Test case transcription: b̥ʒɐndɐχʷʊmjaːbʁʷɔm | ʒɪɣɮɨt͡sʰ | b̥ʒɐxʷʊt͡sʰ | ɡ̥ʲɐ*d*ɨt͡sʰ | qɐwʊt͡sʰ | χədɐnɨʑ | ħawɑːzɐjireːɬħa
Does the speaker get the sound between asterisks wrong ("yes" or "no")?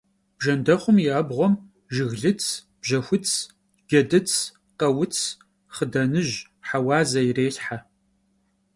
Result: no